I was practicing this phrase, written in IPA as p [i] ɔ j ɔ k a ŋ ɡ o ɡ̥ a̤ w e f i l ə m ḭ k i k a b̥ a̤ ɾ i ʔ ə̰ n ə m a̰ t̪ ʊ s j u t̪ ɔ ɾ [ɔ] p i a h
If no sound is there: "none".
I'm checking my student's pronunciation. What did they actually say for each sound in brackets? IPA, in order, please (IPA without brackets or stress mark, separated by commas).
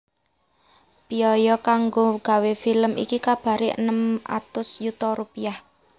i, u